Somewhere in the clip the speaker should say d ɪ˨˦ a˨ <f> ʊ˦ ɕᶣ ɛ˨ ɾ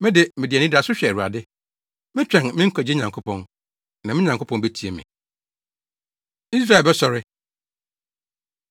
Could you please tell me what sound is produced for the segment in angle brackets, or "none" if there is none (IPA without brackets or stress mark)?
s